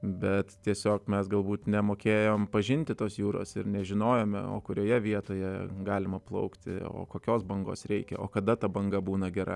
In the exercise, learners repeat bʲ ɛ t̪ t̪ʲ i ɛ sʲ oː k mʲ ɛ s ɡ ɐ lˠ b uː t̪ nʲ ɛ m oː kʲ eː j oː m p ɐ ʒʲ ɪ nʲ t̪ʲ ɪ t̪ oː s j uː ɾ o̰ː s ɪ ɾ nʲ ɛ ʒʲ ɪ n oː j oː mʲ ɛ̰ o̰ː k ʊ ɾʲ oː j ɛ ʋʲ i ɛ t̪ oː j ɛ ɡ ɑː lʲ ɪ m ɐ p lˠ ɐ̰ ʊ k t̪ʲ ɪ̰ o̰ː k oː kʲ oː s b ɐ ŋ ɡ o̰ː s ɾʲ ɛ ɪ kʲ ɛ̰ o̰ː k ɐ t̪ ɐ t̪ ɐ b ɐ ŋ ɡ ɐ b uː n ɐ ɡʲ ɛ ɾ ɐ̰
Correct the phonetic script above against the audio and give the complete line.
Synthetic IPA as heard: bʲ ɛ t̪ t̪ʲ i ɛ sʲ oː k mʲ ɛ s ɡ ɐ lˠ b uː t̪ nʲ ɛ m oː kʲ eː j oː m p ɐ ʒʲ ɪ nʲ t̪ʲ ɪ t̪ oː s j uː ɾ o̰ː s ɪ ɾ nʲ ɛ ʒʲ ɪ n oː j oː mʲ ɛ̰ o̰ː k ʊ ɾʲ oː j ɛ ʋʲ i ɛ t̪ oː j ɛ ɡ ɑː lʲ ɪ m ɐ p lˠ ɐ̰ ʊ k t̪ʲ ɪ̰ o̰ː k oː kʲ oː s b ɐ ŋ ɡ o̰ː s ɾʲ ɛ ɪ kʲ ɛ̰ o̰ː k ɐ d̪ ɐ t̪ ɐ b ɐ ŋ ɡ ɐ b uː n ɐ ɡʲ ɛ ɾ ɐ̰